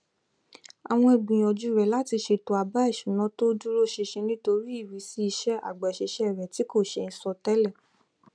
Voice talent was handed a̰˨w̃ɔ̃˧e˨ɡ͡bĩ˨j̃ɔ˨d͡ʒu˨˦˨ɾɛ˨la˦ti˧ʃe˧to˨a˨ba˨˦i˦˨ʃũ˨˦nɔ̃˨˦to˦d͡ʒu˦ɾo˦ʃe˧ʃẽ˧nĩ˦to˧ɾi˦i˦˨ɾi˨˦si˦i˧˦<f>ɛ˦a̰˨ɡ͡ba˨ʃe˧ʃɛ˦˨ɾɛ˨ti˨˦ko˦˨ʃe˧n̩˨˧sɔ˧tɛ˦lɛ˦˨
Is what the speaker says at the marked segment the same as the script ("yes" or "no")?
no